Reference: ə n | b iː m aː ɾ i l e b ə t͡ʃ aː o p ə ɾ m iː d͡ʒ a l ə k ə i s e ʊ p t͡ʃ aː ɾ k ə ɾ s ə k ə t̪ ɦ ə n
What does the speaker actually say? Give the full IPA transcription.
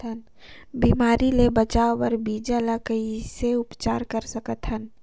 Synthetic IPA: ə n | b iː m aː ɾ i l e b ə t͡ʃ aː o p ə ɾ b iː d͡ʒ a l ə k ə i s e ʊ p t͡ʃ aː ɾ k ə ɾ s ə k ə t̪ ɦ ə n